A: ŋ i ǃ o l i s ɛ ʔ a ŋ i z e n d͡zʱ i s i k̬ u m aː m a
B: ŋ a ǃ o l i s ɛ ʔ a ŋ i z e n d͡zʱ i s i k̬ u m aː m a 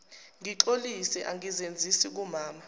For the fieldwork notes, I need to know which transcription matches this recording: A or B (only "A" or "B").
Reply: A